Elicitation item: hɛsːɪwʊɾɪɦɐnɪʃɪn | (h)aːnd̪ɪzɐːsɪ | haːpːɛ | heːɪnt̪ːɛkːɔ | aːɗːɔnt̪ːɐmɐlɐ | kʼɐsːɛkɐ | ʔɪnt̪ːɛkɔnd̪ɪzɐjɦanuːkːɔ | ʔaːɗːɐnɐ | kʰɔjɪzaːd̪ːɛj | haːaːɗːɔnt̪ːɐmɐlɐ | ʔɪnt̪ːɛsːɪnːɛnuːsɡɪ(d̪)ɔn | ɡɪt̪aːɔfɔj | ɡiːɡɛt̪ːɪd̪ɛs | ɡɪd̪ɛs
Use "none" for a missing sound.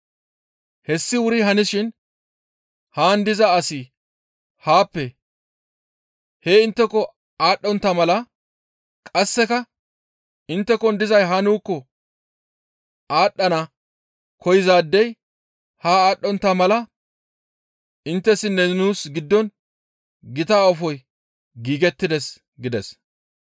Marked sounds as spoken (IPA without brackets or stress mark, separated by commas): h, d̪ː